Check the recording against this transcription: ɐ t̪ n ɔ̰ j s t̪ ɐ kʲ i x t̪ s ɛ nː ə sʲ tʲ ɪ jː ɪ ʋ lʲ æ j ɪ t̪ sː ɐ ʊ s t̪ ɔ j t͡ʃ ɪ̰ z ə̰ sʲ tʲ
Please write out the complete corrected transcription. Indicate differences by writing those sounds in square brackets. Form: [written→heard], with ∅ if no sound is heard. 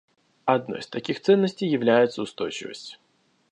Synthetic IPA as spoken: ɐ [t̪→d̪] n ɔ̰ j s t̪ ɐ kʲ i x t̪ s ɛ nː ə sʲ tʲ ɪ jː ɪ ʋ lʲ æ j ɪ t̪ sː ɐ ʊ s t̪ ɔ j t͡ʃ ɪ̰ [z→v] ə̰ sʲ tʲ